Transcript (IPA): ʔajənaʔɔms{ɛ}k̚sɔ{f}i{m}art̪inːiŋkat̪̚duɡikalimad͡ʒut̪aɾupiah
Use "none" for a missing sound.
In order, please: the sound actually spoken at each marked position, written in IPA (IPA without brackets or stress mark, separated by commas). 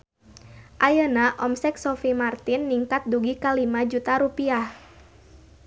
ɛ, f, m